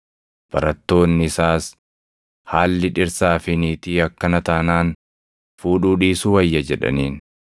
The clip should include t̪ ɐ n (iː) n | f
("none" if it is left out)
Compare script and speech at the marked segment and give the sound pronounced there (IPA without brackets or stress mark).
aː